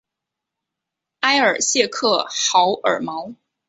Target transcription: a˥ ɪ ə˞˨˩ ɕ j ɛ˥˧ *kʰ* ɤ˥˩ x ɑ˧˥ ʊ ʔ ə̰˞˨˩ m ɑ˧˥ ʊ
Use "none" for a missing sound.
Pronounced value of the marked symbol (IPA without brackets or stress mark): kʰ